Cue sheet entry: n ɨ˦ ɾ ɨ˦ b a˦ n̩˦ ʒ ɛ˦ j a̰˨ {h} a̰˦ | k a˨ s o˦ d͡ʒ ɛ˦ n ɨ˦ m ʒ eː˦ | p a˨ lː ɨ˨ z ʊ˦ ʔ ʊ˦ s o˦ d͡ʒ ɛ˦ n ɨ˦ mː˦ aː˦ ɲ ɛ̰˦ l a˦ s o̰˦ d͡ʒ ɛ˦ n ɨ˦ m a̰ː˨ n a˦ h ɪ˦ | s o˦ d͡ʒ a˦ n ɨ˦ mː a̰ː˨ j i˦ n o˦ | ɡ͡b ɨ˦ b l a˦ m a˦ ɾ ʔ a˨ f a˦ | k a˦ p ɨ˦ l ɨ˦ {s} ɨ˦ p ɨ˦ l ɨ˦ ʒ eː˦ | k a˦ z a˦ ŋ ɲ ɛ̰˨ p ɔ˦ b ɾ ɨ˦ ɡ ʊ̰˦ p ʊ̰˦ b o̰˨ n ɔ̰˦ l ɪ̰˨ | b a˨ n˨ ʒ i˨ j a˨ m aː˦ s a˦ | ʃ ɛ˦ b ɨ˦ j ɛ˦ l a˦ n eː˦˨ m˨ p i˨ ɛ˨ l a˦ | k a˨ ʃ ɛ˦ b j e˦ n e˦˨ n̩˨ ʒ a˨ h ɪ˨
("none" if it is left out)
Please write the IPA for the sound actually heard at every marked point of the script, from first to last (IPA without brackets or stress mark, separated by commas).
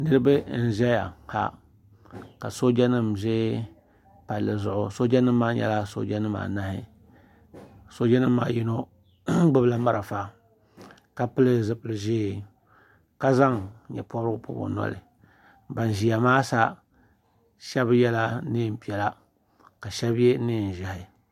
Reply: h, z